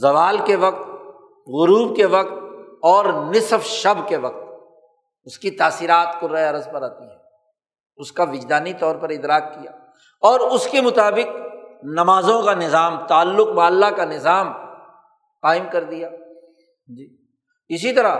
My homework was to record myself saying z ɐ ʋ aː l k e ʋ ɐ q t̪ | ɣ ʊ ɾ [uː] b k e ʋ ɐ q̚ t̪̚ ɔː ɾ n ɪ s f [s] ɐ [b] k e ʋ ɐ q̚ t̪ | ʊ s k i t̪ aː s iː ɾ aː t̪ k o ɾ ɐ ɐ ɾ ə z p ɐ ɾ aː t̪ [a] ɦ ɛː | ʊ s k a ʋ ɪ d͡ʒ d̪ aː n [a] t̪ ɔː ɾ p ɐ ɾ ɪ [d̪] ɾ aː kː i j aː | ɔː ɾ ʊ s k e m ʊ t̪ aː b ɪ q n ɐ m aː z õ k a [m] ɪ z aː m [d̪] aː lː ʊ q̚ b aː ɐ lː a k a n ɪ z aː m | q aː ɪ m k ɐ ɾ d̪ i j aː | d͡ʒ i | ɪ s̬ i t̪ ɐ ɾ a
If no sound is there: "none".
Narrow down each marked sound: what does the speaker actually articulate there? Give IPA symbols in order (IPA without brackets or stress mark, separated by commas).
uː, ʃ, b, i, i, d̪, n, t̪